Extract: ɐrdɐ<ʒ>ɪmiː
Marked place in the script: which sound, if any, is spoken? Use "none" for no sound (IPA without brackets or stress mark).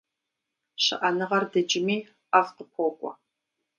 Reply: d͡ʒ